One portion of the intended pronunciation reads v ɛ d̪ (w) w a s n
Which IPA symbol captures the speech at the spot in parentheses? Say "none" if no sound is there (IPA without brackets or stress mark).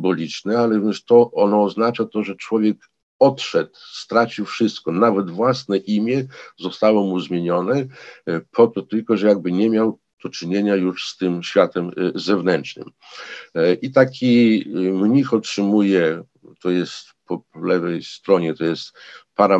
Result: v